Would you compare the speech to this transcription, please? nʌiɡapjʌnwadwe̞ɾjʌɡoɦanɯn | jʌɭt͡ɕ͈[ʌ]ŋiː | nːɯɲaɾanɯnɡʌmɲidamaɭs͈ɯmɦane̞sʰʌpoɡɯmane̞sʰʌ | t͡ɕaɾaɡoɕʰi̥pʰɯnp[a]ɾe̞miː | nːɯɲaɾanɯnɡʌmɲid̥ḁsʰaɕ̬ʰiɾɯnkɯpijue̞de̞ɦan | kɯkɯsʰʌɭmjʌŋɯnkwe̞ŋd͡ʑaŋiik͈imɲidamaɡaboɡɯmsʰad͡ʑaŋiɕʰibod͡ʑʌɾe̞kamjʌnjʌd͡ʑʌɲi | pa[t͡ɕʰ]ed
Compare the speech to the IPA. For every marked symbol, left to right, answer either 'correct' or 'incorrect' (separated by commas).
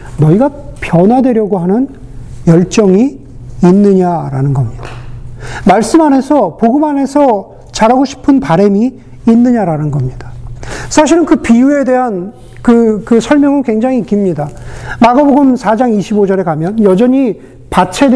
correct, correct, correct